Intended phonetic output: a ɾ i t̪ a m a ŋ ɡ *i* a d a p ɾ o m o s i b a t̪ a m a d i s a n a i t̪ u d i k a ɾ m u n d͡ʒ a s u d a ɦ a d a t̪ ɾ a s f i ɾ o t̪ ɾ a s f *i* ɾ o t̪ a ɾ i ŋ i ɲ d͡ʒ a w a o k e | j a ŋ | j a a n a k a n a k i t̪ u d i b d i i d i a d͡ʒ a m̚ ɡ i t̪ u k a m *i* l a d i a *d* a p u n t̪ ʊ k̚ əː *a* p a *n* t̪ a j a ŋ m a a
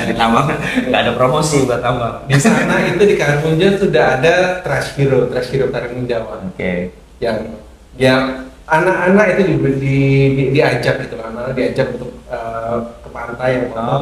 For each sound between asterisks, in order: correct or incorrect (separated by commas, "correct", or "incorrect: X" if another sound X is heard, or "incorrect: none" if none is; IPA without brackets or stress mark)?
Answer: incorrect: a, correct, incorrect: a, incorrect: d͡ʒ, incorrect: ə, correct